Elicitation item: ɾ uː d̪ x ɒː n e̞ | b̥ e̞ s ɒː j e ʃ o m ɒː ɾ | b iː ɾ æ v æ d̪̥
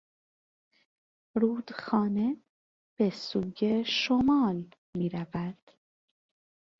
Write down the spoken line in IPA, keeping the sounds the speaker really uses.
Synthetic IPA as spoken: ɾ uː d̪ x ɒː n e̞ | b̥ e̞ s uː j e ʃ o m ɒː l | m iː ɾ æ v æ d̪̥